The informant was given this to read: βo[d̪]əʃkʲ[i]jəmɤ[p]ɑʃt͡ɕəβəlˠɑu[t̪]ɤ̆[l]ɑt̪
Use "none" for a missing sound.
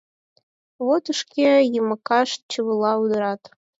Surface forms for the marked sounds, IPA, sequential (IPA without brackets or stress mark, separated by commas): t̪, e, k, d̪, ɾ